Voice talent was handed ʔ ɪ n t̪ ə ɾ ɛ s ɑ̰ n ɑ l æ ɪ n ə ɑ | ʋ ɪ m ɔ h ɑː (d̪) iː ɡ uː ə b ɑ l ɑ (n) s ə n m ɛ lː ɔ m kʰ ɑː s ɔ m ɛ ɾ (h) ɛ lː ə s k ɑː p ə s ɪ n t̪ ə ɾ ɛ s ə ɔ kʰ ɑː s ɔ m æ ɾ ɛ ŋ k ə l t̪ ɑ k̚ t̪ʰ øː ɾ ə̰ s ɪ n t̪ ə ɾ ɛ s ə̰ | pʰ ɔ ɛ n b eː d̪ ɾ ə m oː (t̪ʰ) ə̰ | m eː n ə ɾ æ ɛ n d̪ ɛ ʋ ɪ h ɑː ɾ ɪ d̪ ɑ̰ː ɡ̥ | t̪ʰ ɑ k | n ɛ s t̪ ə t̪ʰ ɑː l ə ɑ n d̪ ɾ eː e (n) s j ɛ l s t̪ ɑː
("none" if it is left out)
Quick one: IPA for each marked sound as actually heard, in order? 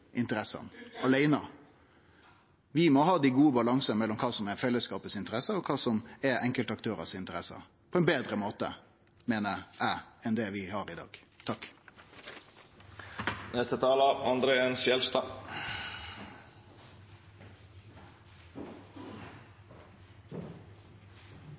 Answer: d̪, ŋ, f, t̪, n

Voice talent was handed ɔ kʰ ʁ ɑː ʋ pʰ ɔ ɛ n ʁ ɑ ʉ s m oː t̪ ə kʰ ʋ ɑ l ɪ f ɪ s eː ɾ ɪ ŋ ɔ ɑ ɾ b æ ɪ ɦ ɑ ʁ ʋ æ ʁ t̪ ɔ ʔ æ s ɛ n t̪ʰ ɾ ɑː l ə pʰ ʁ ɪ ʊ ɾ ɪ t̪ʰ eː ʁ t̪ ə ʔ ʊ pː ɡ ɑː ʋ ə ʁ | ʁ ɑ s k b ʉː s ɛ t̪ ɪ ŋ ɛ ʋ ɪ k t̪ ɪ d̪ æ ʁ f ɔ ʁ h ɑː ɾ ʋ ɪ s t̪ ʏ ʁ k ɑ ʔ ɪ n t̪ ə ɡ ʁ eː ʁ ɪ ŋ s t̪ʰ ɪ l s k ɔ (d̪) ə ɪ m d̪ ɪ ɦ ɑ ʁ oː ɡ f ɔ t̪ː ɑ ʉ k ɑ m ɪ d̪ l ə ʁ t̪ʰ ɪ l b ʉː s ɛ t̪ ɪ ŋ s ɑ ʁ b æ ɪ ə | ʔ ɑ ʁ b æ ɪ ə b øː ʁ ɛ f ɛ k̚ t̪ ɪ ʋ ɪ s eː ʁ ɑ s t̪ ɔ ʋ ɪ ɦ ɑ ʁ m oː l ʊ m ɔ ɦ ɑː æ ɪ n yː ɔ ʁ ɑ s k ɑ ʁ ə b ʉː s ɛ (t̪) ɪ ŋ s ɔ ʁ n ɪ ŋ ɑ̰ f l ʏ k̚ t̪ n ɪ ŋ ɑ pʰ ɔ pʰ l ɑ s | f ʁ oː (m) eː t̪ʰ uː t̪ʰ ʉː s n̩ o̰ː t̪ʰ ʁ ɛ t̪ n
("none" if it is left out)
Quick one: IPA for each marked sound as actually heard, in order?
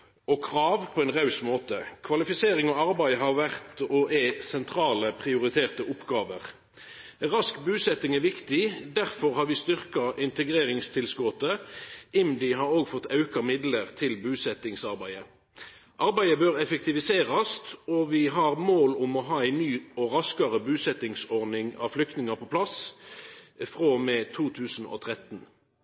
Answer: t̪, t̪, m

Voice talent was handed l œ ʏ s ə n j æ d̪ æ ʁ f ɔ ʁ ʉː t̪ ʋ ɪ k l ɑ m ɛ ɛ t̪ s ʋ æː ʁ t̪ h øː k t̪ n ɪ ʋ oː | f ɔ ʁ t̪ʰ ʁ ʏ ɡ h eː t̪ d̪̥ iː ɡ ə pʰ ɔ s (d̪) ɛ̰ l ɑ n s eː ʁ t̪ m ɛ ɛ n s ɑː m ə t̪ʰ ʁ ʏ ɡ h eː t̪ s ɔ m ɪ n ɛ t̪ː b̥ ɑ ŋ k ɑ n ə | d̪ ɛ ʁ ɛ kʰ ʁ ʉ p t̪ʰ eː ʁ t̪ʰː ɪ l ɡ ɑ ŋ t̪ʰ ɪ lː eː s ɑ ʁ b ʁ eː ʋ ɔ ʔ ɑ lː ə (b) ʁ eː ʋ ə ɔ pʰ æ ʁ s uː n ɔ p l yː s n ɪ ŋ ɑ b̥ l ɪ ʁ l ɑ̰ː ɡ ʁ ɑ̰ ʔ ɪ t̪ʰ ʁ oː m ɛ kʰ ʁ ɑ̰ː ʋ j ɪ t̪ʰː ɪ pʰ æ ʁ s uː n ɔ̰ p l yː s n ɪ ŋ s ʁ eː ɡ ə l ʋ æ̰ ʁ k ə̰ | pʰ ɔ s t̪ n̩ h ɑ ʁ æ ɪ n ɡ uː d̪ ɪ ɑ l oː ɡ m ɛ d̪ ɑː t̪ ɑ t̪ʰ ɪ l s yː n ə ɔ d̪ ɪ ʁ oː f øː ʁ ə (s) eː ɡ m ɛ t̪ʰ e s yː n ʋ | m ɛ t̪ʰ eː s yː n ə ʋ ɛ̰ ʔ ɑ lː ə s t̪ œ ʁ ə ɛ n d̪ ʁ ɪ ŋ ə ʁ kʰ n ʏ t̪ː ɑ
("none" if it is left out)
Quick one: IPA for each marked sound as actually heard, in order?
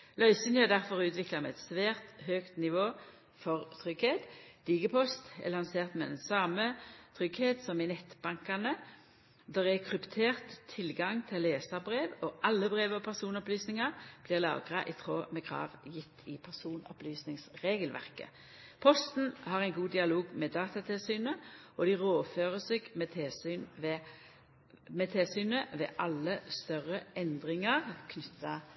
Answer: t̪, b, s

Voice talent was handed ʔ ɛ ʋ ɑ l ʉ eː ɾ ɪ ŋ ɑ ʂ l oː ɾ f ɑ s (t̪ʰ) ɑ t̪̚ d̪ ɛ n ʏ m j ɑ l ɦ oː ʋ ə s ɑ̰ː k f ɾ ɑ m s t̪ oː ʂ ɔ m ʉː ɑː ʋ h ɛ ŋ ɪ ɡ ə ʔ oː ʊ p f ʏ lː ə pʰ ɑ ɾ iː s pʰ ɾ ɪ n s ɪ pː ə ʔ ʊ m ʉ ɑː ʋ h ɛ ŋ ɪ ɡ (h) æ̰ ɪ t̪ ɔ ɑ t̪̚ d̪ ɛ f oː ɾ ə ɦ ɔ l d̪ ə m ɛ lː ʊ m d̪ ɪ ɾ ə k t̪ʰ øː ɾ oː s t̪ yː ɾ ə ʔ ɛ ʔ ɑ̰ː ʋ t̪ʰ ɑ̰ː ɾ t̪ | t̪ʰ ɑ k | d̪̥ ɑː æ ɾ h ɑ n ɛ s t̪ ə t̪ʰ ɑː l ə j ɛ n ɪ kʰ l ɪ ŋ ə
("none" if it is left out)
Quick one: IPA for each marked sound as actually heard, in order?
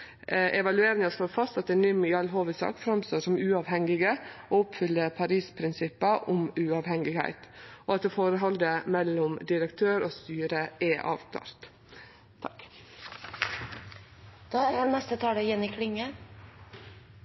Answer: t̪, h

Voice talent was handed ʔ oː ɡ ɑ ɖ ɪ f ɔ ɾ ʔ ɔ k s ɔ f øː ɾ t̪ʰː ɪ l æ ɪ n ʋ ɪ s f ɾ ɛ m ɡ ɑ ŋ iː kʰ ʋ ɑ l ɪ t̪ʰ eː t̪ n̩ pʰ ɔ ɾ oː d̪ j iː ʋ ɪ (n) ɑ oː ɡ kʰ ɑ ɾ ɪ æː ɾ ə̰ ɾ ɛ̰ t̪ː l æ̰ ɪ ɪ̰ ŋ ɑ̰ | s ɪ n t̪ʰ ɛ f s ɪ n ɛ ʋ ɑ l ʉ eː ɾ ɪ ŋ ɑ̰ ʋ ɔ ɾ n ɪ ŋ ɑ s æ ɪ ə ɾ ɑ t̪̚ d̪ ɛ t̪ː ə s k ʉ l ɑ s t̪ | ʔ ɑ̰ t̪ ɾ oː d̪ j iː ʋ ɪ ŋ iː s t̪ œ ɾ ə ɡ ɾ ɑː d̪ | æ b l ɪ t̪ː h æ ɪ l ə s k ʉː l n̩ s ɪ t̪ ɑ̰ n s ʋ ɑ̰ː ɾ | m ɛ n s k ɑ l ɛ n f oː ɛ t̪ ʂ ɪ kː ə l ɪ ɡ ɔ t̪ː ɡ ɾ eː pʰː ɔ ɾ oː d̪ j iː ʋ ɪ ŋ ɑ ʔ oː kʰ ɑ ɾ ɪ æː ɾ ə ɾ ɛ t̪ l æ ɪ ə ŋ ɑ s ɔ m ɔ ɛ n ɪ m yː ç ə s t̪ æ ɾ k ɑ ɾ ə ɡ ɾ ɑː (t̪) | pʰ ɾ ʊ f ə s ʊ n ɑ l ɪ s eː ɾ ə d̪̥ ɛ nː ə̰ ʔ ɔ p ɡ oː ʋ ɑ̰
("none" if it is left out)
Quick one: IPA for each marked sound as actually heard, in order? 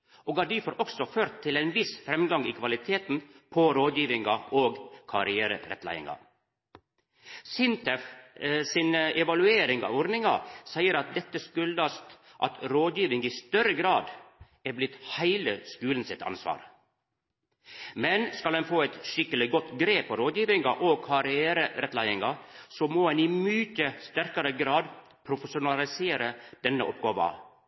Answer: ŋ, d̪

